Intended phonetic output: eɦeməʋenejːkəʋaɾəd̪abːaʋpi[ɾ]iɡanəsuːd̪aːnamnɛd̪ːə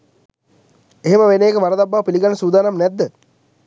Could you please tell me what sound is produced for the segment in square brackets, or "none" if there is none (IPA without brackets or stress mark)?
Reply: l